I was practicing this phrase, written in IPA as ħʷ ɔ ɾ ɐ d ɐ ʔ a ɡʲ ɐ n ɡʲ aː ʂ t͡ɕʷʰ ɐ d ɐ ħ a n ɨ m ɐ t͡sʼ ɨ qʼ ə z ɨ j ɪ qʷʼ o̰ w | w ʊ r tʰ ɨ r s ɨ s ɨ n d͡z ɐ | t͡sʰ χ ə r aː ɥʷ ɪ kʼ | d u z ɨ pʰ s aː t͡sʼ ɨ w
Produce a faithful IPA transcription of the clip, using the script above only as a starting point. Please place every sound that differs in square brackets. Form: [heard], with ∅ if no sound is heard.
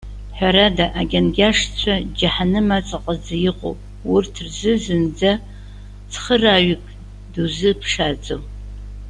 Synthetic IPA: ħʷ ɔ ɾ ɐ d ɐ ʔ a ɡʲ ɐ n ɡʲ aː ʂ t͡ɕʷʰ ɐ [d͡ʒ] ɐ ħ a n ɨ m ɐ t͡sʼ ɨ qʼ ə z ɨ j ɪ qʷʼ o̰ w | w ʊ r tʰ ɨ r [z] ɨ [z] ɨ n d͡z ɐ | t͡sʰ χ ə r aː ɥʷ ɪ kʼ | d u z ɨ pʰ [ʂ] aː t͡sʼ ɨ w